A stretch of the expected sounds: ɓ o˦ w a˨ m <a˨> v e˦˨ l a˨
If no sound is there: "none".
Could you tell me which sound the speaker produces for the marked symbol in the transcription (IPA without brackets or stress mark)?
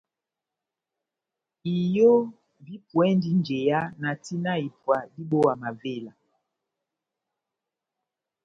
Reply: a˨